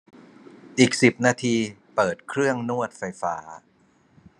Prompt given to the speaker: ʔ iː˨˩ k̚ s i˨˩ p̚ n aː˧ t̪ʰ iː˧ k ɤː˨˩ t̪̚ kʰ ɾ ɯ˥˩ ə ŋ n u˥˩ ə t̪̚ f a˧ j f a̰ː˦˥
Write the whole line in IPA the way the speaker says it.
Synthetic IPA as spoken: ʔ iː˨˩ k̚ s i˨˩ p̚ n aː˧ t̪ʰ iː˧ p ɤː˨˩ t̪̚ kʰ ɾ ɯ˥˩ ə ŋ n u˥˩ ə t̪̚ f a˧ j f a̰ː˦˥